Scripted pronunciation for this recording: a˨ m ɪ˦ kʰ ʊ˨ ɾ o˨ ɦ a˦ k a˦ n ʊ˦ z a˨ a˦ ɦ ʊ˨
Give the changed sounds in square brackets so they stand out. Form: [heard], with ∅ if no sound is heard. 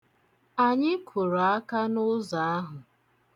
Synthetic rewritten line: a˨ [ɲ] ɪ˦ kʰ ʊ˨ ɾ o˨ [∅] a˦ k a˦ n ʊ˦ z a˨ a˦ ɦ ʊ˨